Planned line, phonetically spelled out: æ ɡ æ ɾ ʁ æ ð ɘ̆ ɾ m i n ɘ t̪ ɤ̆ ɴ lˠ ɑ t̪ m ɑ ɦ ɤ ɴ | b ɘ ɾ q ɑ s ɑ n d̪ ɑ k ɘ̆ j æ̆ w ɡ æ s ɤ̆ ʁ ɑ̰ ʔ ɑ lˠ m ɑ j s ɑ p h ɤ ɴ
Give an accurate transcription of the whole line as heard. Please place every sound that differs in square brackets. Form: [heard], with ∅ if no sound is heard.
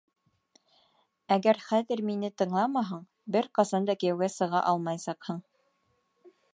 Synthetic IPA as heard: æ ɡ æ ɾ [χ] æ ð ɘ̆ ɾ m i n ɘ t̪ ɤ̆ ɴ lˠ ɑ [∅] m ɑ ɦ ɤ ɴ | b ɘ ɾ q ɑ s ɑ n d̪ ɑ k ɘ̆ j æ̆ w ɡ æ s ɤ̆ ʁ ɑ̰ ʔ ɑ lˠ m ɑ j s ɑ [q] h ɤ ɴ